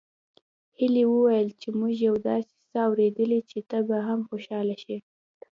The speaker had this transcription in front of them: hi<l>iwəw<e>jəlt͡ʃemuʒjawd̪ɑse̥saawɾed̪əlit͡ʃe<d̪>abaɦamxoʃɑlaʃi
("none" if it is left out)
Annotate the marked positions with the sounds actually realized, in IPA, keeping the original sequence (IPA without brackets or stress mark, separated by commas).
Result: l, a, t̪